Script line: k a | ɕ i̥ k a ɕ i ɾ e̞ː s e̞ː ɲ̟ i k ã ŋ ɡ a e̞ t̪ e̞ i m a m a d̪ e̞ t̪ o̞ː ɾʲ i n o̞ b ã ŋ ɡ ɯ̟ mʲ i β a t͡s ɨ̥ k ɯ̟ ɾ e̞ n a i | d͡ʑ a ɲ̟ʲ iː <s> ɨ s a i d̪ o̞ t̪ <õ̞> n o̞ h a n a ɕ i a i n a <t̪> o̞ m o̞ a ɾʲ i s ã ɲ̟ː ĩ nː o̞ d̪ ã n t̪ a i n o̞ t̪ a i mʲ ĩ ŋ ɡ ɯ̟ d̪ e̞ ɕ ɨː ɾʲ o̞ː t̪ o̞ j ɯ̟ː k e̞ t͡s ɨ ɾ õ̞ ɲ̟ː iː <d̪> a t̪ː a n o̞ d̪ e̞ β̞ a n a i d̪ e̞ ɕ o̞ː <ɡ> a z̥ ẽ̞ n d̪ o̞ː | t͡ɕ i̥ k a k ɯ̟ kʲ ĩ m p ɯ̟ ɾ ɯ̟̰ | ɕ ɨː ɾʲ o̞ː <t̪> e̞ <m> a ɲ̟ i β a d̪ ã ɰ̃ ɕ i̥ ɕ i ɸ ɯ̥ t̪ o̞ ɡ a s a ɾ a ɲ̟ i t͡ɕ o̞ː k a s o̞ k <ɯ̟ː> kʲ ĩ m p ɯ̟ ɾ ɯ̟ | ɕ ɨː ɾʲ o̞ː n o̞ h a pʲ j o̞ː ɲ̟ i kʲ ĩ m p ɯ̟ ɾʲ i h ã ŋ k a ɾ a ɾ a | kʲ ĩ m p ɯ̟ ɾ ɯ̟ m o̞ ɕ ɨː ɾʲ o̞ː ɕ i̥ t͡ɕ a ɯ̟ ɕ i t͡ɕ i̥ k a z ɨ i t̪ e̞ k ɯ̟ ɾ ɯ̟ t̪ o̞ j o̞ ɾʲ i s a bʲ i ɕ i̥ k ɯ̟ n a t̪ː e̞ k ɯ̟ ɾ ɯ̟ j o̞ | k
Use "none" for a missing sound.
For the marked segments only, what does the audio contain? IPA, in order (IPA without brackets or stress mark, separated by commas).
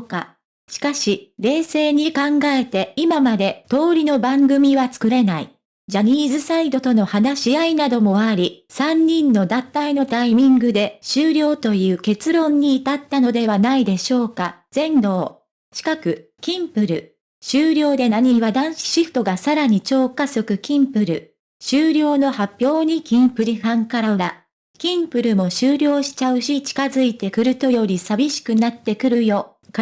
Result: z, o̞, d̪, t̪, k, d̪, n, ɯ̟